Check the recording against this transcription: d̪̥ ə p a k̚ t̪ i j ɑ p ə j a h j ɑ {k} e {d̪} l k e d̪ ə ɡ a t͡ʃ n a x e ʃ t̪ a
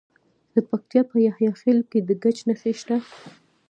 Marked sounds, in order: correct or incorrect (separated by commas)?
incorrect, incorrect